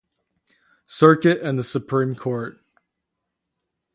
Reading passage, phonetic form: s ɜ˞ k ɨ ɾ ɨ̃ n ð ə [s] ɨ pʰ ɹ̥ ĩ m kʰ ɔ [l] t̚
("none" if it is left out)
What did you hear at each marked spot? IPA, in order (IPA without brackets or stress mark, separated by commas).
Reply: s, ɹ